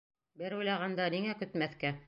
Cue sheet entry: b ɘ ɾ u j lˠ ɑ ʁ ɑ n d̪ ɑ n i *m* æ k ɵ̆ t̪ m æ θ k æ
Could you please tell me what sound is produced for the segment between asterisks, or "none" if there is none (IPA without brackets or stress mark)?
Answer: ŋ